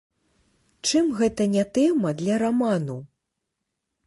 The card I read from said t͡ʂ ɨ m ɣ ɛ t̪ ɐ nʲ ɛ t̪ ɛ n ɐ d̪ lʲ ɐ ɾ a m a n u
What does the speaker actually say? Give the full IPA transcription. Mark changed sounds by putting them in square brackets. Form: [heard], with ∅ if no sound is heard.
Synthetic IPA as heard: t͡ʂ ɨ m ɣ ɛ t̪ ɐ nʲ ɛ t̪ ɛ [m] ɐ d̪ lʲ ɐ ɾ a m a n u